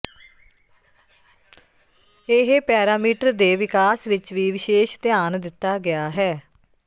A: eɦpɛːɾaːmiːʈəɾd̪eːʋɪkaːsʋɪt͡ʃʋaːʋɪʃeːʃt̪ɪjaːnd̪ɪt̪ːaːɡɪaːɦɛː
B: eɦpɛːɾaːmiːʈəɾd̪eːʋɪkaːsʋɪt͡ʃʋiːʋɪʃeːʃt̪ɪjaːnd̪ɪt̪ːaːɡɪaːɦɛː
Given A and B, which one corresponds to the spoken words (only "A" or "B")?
B